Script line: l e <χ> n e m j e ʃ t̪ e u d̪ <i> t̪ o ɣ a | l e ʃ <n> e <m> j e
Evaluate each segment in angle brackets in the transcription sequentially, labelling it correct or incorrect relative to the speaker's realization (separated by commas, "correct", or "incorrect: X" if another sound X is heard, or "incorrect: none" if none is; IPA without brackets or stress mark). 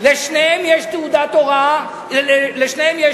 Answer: incorrect: ʃ, incorrect: a, correct, correct